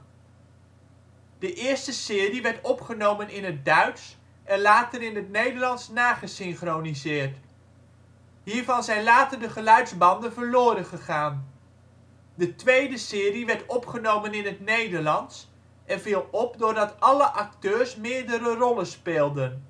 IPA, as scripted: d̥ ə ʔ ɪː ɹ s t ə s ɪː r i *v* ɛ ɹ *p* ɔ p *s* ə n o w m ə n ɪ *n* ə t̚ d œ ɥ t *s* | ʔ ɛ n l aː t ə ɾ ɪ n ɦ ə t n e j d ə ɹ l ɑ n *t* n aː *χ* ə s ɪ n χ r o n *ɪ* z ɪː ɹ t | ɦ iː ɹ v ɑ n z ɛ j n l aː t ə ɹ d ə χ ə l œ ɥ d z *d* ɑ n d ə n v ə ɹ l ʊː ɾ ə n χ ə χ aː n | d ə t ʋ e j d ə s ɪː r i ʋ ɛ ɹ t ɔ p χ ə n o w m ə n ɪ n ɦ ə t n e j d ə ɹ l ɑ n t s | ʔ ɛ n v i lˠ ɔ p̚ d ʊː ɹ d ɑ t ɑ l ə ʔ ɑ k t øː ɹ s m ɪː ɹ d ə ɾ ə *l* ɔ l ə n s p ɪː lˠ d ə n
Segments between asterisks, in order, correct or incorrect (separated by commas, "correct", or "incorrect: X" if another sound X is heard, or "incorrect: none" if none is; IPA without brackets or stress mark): incorrect: ʋ, incorrect: t, incorrect: χ, correct, correct, incorrect: s, correct, incorrect: i, incorrect: b, incorrect: r